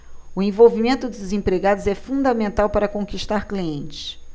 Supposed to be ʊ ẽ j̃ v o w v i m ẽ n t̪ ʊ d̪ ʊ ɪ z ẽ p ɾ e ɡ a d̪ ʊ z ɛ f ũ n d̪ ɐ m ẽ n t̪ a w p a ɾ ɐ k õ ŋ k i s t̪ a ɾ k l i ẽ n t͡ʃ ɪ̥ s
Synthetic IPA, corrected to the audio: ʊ ẽ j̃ v o w v i m ẽ n t̪ ʊ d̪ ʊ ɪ z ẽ p ɾ e ɡ a d̪ ʊ z ɛ f ũ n d̪ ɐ m ẽ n t̪ a w p a ɾ ɐ k õ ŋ k i ʃ t̪ a ɾ k l i ẽ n t͡ʃ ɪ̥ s